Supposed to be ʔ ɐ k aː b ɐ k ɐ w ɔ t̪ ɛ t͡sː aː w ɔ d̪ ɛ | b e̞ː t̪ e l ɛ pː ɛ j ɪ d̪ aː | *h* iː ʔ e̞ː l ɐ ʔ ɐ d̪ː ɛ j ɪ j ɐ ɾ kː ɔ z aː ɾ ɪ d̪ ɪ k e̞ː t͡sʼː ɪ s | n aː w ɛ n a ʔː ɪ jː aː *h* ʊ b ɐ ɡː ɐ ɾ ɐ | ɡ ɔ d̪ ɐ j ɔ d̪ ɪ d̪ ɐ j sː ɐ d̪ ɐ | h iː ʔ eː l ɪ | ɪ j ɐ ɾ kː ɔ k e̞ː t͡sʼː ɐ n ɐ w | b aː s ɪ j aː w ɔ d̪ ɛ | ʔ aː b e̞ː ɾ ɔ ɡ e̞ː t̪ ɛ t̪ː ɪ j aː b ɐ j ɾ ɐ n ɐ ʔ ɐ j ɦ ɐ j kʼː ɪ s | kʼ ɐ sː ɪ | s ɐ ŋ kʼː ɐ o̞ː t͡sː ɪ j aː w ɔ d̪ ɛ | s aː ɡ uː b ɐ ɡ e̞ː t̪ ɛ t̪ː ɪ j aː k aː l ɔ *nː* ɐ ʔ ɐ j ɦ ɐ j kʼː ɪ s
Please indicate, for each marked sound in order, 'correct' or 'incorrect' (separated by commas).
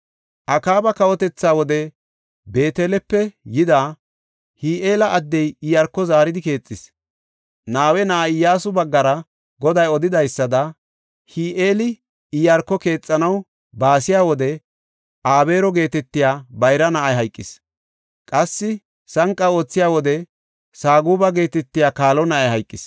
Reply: correct, incorrect, incorrect